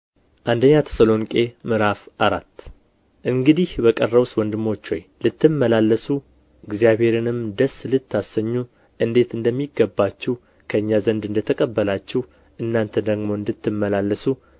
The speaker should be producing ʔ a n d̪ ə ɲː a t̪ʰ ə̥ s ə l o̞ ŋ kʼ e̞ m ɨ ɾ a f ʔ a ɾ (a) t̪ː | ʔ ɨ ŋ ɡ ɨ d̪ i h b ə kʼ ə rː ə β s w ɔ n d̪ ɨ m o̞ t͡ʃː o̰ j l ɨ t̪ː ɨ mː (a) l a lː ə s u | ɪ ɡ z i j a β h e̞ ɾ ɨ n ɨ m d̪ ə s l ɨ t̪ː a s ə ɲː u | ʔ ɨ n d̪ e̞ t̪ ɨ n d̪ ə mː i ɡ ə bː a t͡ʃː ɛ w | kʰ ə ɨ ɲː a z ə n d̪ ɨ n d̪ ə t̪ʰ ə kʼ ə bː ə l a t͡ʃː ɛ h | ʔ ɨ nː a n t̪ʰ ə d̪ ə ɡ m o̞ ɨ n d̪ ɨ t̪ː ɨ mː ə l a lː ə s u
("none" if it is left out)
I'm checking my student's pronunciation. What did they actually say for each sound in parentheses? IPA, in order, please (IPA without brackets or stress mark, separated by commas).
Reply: a, ə